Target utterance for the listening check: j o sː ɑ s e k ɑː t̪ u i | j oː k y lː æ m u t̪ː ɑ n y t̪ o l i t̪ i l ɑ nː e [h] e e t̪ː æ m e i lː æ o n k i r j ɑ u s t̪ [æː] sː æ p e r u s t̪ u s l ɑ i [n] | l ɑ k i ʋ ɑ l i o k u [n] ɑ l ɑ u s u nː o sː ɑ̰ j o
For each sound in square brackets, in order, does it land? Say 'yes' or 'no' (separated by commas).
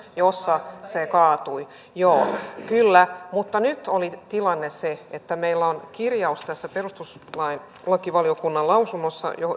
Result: no, no, yes, no